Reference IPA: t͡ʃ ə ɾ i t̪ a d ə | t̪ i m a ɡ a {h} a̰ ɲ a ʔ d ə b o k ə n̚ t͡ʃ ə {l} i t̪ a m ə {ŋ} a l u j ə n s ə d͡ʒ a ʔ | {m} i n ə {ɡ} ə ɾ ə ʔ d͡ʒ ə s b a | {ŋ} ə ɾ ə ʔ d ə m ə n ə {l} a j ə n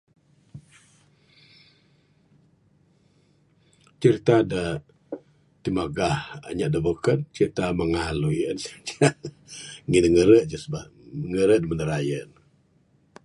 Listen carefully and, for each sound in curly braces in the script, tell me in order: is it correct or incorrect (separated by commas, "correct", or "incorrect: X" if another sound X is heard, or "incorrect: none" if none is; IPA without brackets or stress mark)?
correct, incorrect: ɾ, correct, incorrect: ŋ, incorrect: ŋ, correct, incorrect: ɾ